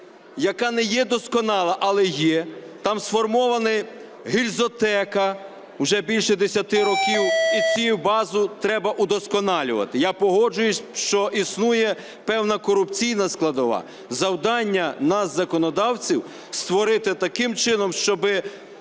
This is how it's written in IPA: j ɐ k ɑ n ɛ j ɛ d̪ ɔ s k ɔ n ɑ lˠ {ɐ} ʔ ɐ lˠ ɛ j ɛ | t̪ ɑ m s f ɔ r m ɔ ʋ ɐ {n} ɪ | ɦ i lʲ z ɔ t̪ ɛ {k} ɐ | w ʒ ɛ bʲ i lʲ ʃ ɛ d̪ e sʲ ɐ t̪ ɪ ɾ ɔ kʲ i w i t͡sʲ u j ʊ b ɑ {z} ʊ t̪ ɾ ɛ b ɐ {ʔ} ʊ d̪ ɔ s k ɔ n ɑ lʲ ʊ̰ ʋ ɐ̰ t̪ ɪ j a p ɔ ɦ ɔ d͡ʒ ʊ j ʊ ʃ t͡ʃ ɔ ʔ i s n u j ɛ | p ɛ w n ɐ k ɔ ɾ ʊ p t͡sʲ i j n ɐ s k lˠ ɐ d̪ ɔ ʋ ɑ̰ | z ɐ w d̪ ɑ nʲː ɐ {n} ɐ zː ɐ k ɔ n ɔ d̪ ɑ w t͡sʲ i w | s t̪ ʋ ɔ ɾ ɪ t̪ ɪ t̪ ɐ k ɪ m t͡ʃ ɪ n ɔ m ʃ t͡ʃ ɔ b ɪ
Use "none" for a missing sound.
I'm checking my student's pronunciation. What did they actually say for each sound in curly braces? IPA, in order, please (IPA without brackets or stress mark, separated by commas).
ɐ, n, k, z, ʔ, n